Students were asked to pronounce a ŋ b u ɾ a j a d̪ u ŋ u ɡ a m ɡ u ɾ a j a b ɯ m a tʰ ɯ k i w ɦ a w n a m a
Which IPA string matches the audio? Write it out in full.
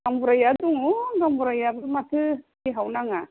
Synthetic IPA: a m b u ɾ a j a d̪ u ŋ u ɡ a m b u ɾ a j a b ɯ m a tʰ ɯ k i ɦ a w n a ŋ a